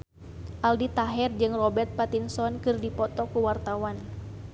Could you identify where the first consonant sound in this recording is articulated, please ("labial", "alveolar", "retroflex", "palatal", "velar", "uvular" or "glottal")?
glottal